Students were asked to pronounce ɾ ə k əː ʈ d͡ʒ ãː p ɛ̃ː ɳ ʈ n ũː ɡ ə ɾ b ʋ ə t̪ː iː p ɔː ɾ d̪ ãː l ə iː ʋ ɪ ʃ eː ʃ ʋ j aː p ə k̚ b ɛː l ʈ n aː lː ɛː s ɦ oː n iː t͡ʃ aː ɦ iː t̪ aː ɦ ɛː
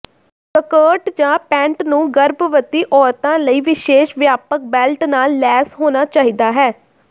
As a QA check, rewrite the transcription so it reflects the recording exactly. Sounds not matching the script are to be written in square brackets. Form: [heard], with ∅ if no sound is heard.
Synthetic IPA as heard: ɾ ə k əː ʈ d͡ʒ ãː p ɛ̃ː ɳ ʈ n ũː ɡ ə ɾ b ʋ ə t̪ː iː [ʔ] ɔː ɾ [t̪] ãː l ə iː ʋ ɪ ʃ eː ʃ ʋ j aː p ə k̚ b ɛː l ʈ n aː lː ɛː s ɦ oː n [aː] t͡ʃ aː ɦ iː [d̪] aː ɦ ɛː